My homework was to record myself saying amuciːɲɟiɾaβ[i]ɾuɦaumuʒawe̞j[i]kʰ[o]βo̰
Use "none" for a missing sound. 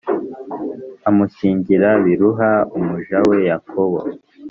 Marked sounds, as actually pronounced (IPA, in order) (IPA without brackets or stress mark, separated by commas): i, a, o